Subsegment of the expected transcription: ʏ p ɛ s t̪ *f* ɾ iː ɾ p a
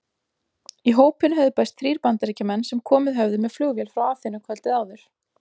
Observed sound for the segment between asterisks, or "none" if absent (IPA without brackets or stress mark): θ